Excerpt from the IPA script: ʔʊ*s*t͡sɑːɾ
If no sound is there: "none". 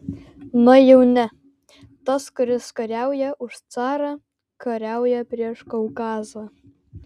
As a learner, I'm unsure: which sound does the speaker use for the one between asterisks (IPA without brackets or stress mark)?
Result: ʃ